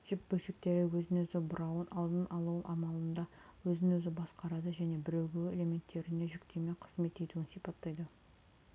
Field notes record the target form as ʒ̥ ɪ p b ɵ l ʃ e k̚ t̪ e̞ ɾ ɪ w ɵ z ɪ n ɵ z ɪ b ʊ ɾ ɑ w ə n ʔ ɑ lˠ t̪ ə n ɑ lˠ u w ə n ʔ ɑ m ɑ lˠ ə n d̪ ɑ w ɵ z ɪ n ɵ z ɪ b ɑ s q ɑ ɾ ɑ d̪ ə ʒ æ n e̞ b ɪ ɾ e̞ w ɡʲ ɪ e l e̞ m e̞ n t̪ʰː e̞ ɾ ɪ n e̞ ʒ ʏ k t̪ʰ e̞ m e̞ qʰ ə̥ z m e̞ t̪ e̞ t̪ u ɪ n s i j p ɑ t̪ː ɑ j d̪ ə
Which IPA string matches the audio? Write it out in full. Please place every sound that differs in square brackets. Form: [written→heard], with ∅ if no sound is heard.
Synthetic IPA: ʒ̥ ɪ p b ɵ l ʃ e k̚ t̪ e̞ ɾ ɪ w ɵ z ɪ n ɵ z ɪ b ʊ ɾ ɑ w ə n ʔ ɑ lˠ [t̪→d̪] ə n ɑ lˠ u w ə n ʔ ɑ m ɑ lˠ ə n d̪ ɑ w ɵ z ɪ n ɵ z ɪ b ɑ s q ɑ ɾ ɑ d̪ ə ʒ æ n e̞ b ɪ ɾ e̞ w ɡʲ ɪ e l e̞ m e̞ n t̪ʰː e̞ ɾ ɪ n e̞ ʒ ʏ k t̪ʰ e̞ m e̞ qʰ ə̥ z m e̞ t̪ e̞ t̪ u ɪ n s i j p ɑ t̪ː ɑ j d̪ ə